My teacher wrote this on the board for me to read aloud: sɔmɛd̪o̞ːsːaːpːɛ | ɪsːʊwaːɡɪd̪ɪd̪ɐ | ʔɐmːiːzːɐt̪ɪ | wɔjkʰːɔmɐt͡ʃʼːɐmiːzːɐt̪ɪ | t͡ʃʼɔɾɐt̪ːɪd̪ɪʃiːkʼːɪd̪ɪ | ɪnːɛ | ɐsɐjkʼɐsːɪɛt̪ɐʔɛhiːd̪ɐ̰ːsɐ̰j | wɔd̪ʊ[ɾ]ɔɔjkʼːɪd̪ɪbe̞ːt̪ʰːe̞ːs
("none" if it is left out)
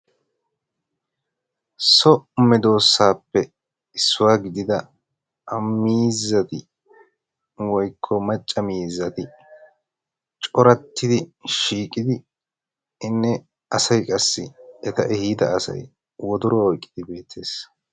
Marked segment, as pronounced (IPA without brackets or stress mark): ɾ